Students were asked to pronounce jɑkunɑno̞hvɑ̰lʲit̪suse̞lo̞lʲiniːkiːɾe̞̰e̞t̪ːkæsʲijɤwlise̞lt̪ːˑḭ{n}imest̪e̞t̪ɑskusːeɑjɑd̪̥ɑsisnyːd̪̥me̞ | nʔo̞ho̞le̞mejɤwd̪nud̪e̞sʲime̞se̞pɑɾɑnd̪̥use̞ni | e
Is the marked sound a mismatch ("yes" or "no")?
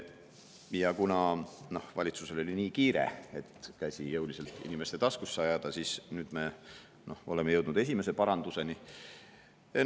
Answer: no